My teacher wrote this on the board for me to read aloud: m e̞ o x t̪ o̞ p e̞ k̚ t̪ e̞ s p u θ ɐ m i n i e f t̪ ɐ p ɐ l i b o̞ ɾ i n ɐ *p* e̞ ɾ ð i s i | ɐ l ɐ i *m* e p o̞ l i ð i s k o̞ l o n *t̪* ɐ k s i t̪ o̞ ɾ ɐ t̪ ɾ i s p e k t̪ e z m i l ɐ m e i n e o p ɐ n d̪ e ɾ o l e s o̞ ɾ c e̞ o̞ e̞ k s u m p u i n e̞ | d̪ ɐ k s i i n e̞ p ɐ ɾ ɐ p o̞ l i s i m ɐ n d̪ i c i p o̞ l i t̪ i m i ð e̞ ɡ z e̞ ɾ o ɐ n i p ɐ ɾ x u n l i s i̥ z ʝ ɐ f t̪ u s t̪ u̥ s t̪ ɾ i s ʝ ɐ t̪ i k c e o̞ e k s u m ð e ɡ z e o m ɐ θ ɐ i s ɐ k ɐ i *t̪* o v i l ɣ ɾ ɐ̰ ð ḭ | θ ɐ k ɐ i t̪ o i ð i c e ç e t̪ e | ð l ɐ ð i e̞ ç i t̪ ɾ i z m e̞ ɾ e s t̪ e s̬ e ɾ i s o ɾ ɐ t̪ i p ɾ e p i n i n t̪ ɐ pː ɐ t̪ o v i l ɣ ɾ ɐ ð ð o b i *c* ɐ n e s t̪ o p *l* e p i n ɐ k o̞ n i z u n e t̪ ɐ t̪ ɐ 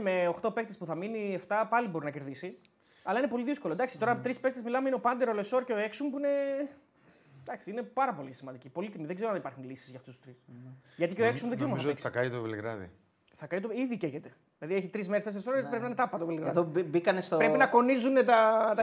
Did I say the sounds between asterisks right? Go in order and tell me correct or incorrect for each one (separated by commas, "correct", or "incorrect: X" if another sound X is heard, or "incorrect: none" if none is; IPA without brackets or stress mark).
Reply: incorrect: c, incorrect: n, incorrect: d̪, correct, incorrect: k, incorrect: ɾ